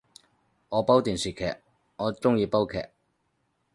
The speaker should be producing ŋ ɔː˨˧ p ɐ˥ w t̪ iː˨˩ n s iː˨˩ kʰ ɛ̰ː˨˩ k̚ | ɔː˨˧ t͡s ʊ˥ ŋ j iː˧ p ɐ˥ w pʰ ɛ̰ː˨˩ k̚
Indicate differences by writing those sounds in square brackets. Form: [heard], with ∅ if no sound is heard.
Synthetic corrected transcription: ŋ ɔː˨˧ p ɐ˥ w t̪ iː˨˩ n s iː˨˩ kʰ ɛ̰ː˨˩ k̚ | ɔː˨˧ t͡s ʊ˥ ŋ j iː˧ p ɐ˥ w [kʰ] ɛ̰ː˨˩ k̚